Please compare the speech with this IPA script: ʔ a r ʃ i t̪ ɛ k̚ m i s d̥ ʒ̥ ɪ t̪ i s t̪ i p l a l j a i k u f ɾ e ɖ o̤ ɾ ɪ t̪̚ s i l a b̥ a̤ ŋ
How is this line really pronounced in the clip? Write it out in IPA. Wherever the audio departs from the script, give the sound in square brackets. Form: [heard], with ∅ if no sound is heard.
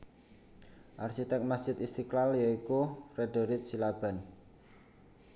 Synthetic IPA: ʔ a r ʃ i t̪ ɛ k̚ m [a] s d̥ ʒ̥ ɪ t̪ i s t̪ i [k] l a l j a i k u f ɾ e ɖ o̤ ɾ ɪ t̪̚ s i l a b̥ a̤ [n]